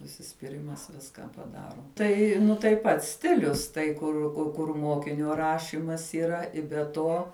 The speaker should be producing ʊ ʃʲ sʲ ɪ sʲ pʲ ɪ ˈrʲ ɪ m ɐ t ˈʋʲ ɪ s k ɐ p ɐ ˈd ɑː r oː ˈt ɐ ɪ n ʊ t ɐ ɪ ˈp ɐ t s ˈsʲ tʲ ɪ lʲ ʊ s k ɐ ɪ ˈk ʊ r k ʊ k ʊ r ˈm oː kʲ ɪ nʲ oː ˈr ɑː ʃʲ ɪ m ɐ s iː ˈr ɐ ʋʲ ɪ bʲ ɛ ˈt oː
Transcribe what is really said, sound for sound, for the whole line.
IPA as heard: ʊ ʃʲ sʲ ɪ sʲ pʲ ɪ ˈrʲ ɪ m ɐ s ˈʋʲ ɪ s k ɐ p ɐ ˈd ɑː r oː ˈt ɐ ɪ n ʊ t ɐ ɪ ˈp ɐ t s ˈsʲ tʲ ɪ lʲ ʊ s t ɐ ɪ ˈk ʊ r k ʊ k ʊ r ˈm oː kʲ ɪ nʲ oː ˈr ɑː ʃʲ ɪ m ɐ s iː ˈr ɐ ɪ bʲ ɛ ˈt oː